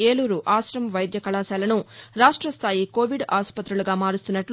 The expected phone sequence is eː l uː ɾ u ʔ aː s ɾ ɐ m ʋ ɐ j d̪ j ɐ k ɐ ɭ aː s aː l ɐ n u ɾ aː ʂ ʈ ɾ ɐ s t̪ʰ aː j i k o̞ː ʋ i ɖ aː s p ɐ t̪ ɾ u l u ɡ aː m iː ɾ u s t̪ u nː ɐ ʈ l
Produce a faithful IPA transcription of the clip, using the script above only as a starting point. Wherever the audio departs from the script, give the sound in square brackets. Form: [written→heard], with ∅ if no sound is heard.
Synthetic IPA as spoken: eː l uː ɾ u ʔ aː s ɾ ɐ m ʋ ɐ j d̪ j ɐ k ɐ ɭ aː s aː l ɐ n u ɾ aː ʂ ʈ ɾ ɐ s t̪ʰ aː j i k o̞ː ʋ i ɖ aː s p ɐ t̪ ɾ u l u ɡ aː m [iː→aː] ɾ u s t̪ u nː ɐ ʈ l